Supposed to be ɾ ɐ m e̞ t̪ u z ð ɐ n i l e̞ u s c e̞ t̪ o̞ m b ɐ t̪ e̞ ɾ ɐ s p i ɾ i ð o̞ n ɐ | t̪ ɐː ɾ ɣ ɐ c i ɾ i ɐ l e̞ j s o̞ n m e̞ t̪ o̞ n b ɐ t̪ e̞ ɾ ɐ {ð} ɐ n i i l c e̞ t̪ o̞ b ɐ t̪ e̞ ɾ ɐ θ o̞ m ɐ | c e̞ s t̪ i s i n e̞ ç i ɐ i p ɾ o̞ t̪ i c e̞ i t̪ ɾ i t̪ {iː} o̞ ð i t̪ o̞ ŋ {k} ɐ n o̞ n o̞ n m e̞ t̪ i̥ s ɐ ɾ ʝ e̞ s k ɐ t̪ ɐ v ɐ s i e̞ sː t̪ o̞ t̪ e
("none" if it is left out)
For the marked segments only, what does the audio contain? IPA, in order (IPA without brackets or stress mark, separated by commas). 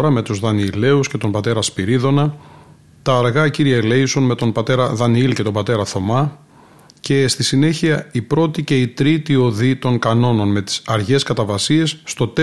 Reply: ð, i, k